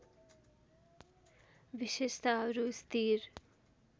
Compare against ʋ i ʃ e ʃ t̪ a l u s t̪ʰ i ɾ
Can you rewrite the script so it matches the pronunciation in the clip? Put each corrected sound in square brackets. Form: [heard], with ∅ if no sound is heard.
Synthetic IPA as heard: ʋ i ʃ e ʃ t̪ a [ɾ] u s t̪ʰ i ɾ